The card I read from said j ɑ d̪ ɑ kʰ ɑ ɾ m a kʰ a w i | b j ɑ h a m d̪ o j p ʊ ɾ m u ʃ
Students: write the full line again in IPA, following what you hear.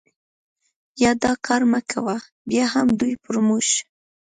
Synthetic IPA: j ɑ d̪ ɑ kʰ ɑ ɾ m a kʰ a w a | b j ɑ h a m d̪ u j p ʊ ɾ m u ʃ